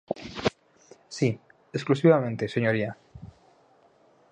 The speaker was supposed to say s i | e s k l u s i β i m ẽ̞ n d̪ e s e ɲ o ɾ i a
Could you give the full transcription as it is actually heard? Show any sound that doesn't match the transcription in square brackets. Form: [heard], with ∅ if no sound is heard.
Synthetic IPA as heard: s i | e s k l u s i β [a] m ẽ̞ n [t̪] e s e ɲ o ɾ i a